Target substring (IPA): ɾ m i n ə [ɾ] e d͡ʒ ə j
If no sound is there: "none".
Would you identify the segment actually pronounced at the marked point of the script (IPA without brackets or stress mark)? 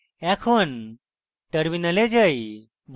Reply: l